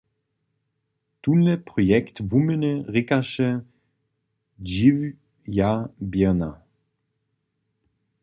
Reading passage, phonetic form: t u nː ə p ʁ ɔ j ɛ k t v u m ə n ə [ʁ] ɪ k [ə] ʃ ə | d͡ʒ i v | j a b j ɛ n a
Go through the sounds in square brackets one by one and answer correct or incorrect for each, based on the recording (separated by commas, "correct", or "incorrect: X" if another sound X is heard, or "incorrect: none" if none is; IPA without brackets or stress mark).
correct, incorrect: a